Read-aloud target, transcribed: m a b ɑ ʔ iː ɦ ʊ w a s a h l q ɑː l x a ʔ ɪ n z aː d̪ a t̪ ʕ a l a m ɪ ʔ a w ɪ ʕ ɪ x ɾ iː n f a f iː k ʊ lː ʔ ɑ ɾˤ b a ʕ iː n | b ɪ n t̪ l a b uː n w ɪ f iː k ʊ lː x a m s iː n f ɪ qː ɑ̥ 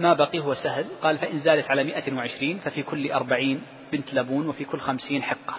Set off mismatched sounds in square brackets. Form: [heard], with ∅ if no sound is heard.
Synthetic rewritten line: m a b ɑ [q] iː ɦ ʊ w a s a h l q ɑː l [f] a ʔ ɪ n z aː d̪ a t̪ ʕ a l a m ɪ ʔ a w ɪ ʕ ɪ [ʃ] ɾ iː n f a f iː k ʊ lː ʔ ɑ ɾˤ b a ʕ iː n | b ɪ n t̪ l a b uː n w ɪ f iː k ʊ lː x a m s iː n [ħ] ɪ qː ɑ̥